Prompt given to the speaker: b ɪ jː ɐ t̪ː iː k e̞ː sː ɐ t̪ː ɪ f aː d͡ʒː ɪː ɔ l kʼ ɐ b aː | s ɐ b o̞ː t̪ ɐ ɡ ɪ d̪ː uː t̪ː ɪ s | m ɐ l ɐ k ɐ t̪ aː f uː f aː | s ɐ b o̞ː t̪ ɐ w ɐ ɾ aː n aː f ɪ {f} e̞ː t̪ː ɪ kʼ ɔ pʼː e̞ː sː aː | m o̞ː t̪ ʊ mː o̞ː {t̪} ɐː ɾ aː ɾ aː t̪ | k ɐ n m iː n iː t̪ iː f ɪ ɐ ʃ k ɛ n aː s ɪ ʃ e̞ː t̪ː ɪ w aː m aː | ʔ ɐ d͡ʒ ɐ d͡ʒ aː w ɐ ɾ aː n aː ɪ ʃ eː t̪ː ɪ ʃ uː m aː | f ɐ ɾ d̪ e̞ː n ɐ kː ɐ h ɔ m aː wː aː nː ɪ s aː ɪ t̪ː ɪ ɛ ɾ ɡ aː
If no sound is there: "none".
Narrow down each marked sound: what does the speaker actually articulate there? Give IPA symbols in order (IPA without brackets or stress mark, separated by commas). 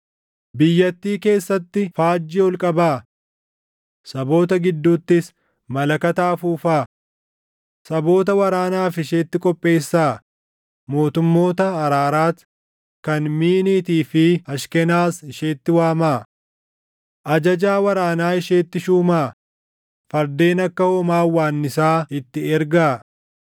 ʃ, t̪